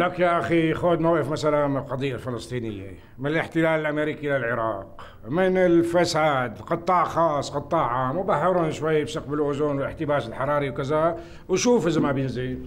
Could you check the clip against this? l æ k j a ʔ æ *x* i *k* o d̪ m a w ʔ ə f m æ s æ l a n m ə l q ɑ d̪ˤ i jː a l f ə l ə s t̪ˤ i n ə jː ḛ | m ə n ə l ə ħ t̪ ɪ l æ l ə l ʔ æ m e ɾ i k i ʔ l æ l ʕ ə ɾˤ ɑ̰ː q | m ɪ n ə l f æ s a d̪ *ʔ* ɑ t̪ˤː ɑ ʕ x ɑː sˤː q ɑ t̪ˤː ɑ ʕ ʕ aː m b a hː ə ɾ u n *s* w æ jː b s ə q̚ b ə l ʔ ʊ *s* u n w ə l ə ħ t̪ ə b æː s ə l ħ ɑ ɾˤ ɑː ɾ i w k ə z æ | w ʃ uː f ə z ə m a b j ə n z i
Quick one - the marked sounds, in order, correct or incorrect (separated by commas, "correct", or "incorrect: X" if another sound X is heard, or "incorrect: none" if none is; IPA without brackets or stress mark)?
correct, incorrect: x, incorrect: q, incorrect: ʃ, incorrect: z